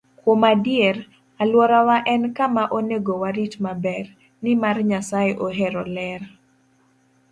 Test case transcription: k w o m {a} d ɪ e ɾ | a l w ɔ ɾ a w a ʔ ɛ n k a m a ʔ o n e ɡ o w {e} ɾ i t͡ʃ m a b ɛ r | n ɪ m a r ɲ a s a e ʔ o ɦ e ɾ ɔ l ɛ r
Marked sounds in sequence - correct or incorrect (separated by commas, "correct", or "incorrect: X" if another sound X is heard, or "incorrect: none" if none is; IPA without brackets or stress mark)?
correct, incorrect: a